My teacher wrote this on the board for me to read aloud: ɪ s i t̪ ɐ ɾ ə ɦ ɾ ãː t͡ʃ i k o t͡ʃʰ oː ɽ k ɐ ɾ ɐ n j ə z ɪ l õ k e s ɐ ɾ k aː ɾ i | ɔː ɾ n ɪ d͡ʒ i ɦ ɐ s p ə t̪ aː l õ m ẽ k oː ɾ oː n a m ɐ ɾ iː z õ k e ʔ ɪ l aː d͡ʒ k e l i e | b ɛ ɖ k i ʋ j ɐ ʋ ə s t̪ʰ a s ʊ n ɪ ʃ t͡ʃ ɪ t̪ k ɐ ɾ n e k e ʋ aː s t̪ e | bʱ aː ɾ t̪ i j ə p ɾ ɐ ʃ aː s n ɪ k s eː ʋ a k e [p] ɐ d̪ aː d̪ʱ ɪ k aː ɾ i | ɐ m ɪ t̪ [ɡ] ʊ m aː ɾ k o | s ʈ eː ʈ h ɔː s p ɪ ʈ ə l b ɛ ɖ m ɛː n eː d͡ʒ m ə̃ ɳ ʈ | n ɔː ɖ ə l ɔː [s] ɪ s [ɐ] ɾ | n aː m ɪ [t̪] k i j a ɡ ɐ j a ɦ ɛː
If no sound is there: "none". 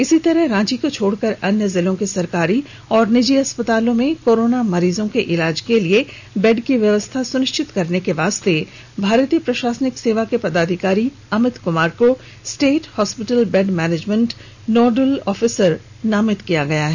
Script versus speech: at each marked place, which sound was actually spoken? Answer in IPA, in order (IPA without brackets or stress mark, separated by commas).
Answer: p, k, f, ə, t̪